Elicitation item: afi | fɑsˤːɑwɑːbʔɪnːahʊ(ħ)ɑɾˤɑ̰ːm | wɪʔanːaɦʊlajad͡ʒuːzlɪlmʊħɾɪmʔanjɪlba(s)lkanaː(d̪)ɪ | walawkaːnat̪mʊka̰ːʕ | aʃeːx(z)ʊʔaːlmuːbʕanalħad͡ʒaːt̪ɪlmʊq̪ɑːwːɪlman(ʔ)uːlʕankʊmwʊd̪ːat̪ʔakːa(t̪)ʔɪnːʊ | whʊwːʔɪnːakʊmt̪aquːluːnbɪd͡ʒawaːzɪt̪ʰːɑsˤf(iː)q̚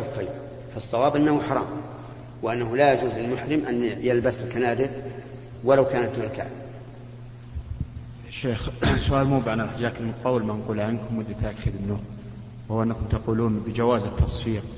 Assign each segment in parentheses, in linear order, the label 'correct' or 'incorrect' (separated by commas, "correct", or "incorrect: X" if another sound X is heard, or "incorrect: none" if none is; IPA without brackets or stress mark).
correct, correct, correct, incorrect: s, incorrect: q, incorrect: d̪, correct